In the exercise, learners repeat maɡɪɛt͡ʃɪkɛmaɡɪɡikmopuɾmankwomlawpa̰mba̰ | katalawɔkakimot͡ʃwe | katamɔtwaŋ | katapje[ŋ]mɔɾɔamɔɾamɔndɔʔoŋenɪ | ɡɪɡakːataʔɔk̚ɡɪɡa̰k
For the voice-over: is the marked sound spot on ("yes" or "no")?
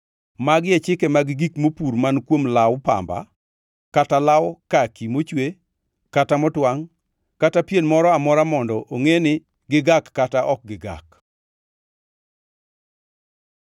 no